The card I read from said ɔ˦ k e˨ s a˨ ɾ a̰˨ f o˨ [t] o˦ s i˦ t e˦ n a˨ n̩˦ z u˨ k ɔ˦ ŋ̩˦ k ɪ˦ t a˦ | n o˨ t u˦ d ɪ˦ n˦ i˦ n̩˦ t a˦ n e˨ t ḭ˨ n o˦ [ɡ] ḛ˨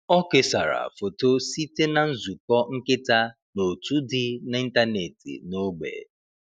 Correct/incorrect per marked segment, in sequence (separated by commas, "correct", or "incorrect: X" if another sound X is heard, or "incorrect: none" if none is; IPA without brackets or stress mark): correct, incorrect: ɡ͡b